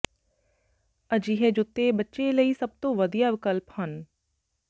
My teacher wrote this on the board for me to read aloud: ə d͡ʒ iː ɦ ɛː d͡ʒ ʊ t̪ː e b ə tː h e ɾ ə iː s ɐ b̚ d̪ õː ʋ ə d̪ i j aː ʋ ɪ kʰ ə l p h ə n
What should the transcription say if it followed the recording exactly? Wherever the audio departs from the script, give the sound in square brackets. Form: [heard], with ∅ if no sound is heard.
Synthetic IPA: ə d͡ʒ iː ɦ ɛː d͡ʒ ʊ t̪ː e b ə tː [ʃ] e [l] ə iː s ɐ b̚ [t̪] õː ʋ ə d̪ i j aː ʋ ɪ [k] ə l p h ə n